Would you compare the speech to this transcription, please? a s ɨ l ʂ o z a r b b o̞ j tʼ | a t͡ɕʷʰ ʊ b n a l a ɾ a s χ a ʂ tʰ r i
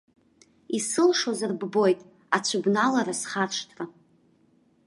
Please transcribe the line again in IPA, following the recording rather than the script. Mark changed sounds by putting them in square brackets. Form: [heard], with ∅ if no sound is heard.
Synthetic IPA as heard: [i] s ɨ l ʂ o z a r b b o̞ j tʼ | a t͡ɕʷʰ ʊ b n a l a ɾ a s χ a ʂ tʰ r [a]